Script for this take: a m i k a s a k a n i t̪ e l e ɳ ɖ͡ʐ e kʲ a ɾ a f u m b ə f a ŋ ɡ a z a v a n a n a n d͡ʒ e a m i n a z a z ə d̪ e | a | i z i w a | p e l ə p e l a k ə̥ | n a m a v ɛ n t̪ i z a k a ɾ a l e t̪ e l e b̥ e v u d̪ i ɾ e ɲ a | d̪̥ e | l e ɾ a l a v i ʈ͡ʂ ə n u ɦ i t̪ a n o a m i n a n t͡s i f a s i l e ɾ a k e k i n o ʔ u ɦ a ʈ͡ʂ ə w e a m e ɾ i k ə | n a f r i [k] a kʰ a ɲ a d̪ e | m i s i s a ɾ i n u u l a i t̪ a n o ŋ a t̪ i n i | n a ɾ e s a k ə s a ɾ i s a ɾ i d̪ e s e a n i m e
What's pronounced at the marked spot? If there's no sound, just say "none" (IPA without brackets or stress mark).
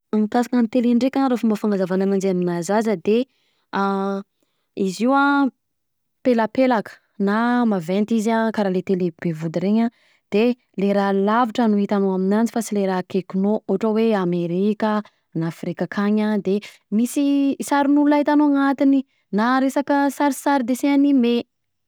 k